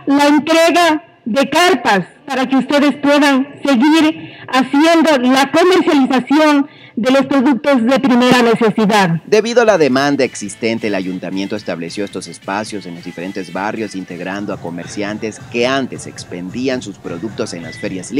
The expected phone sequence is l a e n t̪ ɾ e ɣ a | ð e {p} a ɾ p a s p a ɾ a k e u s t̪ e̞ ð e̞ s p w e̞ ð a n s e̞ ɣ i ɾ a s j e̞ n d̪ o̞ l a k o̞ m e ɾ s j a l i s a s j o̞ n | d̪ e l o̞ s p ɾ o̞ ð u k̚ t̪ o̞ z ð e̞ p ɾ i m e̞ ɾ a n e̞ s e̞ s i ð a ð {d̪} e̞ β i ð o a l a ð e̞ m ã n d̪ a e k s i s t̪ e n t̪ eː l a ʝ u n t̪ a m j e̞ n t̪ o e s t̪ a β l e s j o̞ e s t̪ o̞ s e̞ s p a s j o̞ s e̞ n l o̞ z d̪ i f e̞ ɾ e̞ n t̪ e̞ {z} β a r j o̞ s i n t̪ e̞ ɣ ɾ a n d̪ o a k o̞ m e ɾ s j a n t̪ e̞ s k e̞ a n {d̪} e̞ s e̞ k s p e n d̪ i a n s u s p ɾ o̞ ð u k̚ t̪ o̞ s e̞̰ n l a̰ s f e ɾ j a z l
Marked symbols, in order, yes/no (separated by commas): no, yes, yes, no